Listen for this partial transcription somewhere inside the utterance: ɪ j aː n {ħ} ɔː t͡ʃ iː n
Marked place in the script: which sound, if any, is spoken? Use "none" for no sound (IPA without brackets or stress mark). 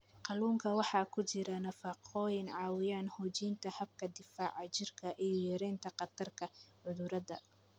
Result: h